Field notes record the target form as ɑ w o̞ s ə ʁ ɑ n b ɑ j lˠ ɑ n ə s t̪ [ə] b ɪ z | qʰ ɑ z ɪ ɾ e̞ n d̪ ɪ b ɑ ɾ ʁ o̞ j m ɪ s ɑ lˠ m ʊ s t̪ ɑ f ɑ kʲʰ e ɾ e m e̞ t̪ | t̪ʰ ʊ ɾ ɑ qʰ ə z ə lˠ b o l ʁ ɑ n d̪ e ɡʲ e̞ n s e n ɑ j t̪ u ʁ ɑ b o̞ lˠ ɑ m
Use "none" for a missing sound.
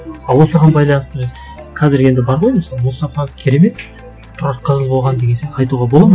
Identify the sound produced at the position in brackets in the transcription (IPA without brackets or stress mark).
ə